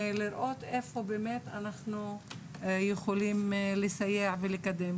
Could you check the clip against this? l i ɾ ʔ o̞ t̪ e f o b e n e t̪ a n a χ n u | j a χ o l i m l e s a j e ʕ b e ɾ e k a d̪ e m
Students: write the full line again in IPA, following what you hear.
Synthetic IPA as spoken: l i ɾ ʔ o̞ t̪ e f o b e m e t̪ a n a χ n u | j e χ o l i m l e s a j e ʕ v e l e k a d̪ e m

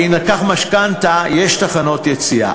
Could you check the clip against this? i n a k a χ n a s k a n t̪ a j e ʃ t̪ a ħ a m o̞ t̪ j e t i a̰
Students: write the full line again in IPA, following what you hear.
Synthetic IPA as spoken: i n a k a χ m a ʃ k a n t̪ a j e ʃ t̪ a χ a n o̞ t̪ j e t͡s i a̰

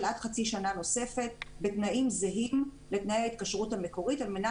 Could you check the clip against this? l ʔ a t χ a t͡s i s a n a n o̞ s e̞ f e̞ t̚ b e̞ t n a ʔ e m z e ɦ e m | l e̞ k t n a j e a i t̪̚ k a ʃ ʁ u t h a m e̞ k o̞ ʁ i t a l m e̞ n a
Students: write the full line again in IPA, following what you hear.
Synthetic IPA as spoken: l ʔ a t χ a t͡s i ʃ a n a n o̞ s e̞ f e̞ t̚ b e̞ t n a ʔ i m z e ɦ i m | l e̞ t n a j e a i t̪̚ k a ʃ ʁ u t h a m e̞ k o̞ ʁ i t a l m e̞ n a

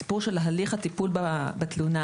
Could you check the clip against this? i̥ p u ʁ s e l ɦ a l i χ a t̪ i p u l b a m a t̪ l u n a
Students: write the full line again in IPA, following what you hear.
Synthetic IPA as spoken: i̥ p u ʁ ʃ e l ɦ a l i χ a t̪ i p u l b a b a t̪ l u n a

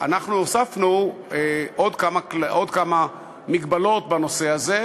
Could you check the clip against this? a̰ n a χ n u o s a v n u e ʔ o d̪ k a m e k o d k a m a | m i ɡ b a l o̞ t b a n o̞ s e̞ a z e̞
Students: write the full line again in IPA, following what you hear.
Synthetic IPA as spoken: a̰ n a χ n u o s a f n u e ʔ o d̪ k a m a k o d k a m a | m i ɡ b a l o̞ t b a n o̞ s e̞ a z e̞

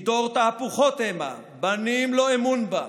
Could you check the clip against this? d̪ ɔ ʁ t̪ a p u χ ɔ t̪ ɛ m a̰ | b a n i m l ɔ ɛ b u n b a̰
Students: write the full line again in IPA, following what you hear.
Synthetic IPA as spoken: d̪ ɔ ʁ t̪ a p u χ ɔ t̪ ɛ m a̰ | b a n i m l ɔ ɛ m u n b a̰

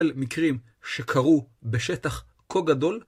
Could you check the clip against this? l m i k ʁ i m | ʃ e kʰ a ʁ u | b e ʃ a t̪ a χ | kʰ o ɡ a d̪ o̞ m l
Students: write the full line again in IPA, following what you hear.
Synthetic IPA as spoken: l m i k ʁ i m | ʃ e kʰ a ʁ u | b e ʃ e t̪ a χ | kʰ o ɡ a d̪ o̞ l

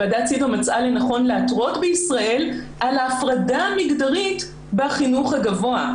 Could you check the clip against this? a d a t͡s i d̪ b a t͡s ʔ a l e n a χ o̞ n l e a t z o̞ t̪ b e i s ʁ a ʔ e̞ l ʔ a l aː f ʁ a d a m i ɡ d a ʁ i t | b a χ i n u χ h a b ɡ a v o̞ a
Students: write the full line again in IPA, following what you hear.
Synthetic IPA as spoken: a d a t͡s i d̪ m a t͡s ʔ a l e n a χ o̞ n l e a t ʁ o̞ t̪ b e i s ʁ a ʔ e̞ l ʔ a l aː f ʁ a d a m i ɡ d a ʁ i t | b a χ i n u χ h a ɡ a v o̞ a

